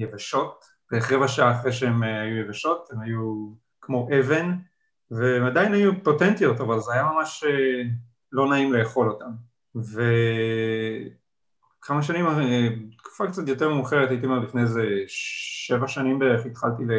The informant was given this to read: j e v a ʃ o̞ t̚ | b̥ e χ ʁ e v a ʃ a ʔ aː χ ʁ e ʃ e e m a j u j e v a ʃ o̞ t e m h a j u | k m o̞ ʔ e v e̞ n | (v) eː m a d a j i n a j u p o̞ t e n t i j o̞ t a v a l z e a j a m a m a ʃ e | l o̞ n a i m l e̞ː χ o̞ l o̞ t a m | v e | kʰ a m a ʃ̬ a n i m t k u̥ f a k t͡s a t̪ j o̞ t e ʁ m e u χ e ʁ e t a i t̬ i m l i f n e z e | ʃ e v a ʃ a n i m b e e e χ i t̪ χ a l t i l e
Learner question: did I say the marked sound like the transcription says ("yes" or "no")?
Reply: yes